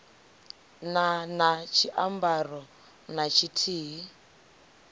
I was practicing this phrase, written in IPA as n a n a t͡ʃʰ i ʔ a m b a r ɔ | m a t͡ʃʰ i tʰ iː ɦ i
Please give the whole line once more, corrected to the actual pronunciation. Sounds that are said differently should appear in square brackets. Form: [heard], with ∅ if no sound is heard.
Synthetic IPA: n a n a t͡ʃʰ i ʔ a m b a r ɔ | [n] a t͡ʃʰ i tʰ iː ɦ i